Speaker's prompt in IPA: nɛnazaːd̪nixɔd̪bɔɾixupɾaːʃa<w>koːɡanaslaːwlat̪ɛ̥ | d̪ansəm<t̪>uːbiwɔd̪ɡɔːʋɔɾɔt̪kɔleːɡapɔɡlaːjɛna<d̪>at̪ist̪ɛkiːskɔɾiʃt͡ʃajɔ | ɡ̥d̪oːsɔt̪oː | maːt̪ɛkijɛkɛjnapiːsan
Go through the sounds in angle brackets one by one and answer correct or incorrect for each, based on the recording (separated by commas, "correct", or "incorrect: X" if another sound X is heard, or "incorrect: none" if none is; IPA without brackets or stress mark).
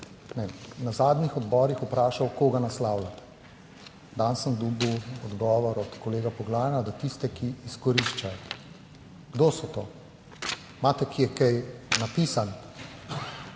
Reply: correct, incorrect: d̪, correct